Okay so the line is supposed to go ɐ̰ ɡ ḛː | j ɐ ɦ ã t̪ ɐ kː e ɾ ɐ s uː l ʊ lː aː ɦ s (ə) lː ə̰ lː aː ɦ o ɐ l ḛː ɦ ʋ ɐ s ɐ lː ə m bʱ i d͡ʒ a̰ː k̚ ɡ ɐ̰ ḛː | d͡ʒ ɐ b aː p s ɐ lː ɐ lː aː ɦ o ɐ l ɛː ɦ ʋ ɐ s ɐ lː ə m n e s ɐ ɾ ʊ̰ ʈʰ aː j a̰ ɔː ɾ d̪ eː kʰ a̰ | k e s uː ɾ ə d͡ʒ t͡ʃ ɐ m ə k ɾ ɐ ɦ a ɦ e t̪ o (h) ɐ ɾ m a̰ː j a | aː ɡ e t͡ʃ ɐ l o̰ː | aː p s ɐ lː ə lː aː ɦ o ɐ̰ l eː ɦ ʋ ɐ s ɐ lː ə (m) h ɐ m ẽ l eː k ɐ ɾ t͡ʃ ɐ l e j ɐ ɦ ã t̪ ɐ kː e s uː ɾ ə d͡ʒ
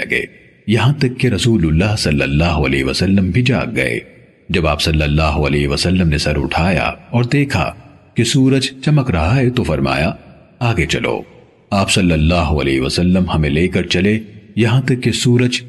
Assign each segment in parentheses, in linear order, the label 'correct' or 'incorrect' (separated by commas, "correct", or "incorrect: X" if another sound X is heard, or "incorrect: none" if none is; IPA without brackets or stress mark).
incorrect: ɐ, incorrect: f, correct